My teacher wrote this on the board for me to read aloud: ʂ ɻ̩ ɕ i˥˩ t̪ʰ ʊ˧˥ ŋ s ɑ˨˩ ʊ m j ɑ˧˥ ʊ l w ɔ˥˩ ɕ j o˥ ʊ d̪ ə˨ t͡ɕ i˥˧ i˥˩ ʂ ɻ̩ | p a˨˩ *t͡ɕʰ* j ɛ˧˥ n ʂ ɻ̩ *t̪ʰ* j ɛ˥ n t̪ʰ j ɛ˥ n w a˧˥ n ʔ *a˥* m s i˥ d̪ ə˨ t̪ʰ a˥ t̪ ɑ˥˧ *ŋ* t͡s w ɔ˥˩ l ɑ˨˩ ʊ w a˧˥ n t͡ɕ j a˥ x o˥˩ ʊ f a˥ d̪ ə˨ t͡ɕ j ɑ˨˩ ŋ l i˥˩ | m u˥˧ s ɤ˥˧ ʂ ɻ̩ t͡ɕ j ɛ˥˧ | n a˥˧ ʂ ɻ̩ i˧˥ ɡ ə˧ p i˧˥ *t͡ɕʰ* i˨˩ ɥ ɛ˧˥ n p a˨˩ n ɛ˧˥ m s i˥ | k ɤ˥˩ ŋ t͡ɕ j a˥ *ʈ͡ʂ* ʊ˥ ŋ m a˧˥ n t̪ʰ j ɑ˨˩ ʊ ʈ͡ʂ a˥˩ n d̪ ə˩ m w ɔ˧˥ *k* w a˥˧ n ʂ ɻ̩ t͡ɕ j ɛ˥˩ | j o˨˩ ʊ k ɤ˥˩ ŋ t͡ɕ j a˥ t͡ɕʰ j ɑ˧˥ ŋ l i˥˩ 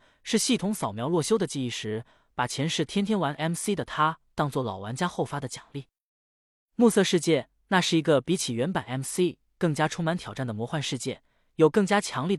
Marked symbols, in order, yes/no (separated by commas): yes, yes, no, yes, yes, no, no